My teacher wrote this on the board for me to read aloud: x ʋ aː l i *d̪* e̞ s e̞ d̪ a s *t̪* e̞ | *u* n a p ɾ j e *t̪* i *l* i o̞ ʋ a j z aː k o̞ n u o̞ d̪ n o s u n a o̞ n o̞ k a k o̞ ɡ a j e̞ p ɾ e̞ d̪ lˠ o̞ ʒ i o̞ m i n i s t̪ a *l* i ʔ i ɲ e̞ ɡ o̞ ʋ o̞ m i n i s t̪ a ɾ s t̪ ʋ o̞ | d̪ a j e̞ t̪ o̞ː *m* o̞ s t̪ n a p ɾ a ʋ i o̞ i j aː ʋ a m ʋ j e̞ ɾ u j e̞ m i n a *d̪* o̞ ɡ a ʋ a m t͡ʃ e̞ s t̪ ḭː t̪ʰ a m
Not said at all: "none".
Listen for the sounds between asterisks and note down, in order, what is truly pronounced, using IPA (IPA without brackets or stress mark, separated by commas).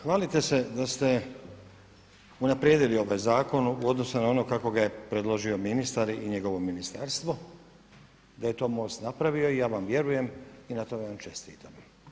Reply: t̪, t̪, u, d̪, l, ɾ, m, t̪